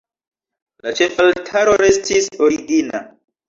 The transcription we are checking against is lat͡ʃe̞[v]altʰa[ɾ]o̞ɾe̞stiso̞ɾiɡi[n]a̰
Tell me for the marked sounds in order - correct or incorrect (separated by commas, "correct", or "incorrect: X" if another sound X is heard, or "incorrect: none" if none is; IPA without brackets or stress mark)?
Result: incorrect: f, correct, correct